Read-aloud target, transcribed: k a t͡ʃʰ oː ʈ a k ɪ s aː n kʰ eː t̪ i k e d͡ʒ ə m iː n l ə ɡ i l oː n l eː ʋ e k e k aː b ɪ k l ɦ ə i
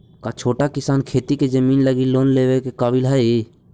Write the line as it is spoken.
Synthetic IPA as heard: k a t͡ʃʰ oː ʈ a k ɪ s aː n kʰ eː t̪ i k e d͡ʒ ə m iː n l ə ɡ i l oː n l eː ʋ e k e k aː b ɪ l ɦ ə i